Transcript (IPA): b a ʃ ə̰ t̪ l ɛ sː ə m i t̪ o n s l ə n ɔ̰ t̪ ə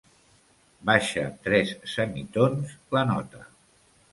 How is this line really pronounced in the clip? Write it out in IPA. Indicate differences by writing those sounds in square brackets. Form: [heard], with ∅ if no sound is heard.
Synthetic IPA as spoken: b a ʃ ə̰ t̪ [ɾ] ɛ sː ə m i t̪ o n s l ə n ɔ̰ t̪ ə